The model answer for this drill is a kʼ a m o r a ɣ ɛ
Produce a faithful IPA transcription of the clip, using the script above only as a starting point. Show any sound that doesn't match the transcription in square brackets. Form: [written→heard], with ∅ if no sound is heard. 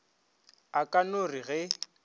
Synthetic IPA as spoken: a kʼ a [m→n] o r [a→i] ɣ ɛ